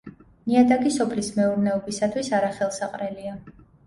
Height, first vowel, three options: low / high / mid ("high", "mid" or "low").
high